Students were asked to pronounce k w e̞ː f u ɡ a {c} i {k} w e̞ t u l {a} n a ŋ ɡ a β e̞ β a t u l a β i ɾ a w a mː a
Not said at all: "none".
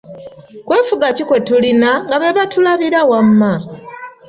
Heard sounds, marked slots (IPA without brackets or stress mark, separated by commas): c, k, i